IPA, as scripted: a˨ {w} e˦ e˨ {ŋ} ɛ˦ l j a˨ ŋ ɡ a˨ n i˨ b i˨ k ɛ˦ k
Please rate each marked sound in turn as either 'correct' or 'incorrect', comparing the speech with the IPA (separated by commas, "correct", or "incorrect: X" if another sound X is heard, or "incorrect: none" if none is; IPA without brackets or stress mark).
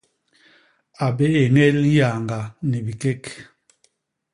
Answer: incorrect: b, correct